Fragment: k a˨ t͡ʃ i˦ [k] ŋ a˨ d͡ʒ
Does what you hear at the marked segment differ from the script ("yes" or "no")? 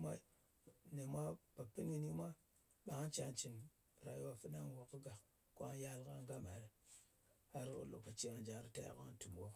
yes